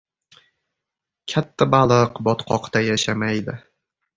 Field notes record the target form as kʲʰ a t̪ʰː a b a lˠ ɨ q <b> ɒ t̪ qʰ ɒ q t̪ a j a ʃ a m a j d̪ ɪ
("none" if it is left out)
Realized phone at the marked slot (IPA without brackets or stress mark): b